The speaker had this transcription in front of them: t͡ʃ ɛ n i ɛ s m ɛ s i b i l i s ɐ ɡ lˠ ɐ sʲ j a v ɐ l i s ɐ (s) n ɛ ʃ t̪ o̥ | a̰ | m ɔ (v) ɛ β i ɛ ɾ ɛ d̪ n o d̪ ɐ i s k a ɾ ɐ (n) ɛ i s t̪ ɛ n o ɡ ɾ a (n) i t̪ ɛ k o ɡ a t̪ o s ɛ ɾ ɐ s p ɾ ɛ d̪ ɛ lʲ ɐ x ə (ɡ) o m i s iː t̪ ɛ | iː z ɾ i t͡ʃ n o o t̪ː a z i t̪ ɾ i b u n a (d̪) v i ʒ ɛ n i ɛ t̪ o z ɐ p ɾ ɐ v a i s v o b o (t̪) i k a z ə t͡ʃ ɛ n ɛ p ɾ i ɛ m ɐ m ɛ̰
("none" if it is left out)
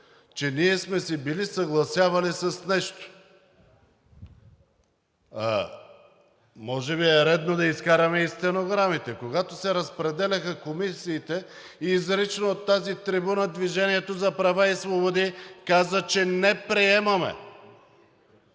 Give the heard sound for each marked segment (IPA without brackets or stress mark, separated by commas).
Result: s, ʒ, m, m, k, d̪, d̪